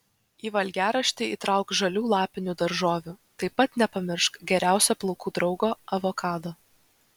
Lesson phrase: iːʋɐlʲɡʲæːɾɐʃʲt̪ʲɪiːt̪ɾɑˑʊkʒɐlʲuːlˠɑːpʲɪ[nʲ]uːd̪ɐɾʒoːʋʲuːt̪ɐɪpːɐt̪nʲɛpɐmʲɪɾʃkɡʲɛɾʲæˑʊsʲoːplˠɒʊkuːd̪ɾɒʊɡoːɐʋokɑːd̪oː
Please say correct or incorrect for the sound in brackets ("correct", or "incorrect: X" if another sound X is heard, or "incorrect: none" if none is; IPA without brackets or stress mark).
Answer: correct